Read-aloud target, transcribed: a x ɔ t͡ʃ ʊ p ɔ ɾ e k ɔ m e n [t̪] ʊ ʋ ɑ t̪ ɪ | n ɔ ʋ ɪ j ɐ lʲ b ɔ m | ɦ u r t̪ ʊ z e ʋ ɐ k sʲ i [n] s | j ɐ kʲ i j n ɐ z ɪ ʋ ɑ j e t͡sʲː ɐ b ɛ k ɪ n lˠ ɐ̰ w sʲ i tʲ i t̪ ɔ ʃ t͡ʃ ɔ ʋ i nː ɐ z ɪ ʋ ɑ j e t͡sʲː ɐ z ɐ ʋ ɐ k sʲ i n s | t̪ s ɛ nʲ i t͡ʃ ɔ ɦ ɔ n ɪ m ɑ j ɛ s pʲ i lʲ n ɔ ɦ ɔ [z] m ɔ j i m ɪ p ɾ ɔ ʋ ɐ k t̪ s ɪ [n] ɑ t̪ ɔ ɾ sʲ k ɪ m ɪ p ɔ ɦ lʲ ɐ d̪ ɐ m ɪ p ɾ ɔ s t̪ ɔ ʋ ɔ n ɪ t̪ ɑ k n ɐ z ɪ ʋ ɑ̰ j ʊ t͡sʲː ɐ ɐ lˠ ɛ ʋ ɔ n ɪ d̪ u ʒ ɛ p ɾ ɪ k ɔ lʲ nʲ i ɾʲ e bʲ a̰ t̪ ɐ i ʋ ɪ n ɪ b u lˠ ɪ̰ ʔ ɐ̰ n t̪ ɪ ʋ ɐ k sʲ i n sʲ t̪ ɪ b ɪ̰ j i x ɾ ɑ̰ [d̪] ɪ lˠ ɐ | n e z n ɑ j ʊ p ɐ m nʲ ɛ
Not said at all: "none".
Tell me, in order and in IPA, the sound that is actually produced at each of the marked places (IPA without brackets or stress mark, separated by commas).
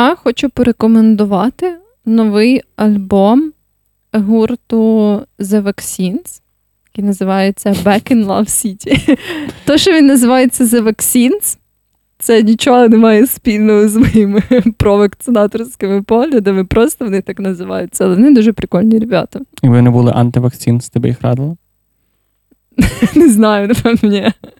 d̪, n, z, n, d̪